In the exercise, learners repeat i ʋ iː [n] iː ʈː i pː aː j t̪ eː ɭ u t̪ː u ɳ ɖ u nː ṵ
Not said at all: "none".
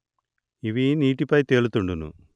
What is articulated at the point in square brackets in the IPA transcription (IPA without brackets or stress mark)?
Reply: n